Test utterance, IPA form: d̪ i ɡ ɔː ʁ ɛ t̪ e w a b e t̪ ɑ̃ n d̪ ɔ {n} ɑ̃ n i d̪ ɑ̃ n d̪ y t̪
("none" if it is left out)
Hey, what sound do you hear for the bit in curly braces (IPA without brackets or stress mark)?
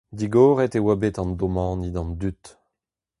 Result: m